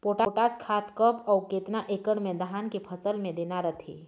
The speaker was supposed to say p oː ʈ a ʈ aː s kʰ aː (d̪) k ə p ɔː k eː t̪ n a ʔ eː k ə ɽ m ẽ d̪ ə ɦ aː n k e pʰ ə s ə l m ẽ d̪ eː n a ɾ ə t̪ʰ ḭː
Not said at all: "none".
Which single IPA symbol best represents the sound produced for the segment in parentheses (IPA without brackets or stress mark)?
t̪